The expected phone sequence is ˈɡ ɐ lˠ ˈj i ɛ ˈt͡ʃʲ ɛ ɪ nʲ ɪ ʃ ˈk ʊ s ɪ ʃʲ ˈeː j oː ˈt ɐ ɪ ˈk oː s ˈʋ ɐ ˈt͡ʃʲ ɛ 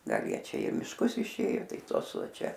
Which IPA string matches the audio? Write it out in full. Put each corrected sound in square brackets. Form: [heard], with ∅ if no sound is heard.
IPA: ˈɡ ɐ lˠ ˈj i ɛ ˈt͡ʃʲ ɛ ɪ [mʲ] ɪ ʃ ˈk ʊ s ɪ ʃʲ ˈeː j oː ˈt ɐ ɪ [ˈt] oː s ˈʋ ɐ ˈt͡ʃʲ ɛ